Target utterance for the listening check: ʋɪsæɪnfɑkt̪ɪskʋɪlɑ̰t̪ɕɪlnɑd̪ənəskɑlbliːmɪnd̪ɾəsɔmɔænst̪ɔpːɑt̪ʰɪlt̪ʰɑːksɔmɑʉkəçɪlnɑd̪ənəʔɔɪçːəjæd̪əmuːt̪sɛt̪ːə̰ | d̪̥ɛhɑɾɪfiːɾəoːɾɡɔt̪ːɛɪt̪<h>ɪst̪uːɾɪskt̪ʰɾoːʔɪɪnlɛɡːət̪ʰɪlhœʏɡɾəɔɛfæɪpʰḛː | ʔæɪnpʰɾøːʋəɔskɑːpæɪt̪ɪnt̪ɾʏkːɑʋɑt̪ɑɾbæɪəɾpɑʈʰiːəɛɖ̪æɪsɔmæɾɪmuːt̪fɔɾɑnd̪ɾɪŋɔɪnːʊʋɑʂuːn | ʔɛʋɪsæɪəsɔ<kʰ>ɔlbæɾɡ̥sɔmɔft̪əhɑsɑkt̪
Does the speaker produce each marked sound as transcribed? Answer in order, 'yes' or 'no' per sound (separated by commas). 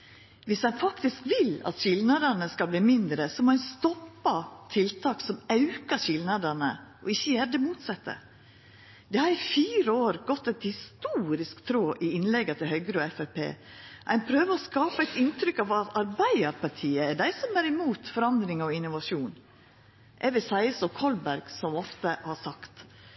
yes, yes